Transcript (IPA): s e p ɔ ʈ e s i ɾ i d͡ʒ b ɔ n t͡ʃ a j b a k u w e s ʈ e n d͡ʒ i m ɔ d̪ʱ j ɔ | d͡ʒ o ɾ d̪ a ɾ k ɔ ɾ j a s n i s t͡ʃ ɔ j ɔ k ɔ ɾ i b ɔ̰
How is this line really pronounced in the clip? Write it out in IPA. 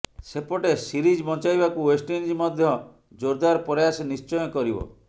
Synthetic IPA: s e p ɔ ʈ e s i ɾ i d͡ʒ b ɔ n t͡ʃ a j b a k u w e s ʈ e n d͡ʒ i m ɔ d̪ʱ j ɔ | d͡ʒ o ɾ d̪ a ɾ p ɔ ɾ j a s n i s t͡ʃ ɔ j ɔ k ɔ ɾ i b ɔ̰